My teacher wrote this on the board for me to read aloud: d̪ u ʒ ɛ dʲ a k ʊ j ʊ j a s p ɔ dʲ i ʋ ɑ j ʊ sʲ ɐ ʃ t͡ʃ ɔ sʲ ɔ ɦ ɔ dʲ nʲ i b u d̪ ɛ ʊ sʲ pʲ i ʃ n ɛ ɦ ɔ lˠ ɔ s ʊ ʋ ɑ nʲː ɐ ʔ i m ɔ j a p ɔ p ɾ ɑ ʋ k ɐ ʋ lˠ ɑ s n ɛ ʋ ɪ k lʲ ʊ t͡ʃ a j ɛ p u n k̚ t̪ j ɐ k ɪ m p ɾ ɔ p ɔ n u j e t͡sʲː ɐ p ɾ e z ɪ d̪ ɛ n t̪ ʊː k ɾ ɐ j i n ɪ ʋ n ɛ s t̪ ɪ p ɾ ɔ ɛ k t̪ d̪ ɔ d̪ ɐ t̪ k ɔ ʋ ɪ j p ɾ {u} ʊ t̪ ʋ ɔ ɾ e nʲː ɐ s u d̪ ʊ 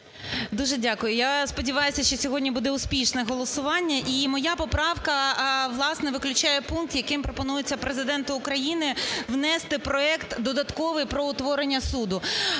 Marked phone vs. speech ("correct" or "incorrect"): incorrect